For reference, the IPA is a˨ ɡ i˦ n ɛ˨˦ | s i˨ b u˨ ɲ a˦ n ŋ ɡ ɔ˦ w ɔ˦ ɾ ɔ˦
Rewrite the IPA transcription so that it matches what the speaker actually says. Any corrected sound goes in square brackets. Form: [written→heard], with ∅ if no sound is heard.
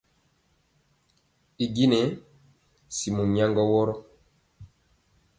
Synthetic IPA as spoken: [a˨→i˨] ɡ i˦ n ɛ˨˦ | s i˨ [b→m] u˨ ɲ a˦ [n→∅] ŋ ɡ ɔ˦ w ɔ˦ ɾ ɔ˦